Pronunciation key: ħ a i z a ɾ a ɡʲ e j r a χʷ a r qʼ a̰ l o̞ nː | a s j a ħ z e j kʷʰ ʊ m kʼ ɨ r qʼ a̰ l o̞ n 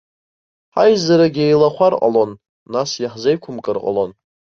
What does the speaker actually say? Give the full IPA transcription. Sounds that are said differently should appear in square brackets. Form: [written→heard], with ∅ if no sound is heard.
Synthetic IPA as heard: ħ a [i→j] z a ɾ a ɡʲ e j [r→l] a χʷ a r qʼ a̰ l o̞ nː | a s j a ħ z e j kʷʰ ʊ m kʼ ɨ r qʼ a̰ l o̞ n